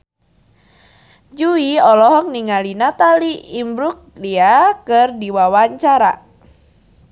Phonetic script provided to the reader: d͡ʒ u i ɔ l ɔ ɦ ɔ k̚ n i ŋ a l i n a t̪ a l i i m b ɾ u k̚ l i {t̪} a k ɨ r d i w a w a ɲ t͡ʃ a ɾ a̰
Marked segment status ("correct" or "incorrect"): incorrect